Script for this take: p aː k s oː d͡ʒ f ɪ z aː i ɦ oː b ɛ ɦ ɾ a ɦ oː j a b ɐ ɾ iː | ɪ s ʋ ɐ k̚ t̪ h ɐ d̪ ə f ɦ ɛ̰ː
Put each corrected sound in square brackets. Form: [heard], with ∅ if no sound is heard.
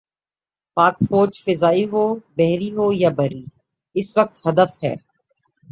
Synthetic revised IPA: p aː k [f] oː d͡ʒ f ɪ z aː i ɦ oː b ɛ ɦ ɾ [i] ɦ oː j a b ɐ ɾ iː | ɪ s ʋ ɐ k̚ t̪ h ɐ d̪ ə f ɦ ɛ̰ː